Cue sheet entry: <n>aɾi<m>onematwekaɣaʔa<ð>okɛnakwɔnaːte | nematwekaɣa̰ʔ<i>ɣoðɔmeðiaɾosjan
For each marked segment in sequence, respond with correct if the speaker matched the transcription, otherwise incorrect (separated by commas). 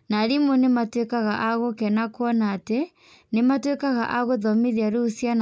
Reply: correct, correct, incorrect, incorrect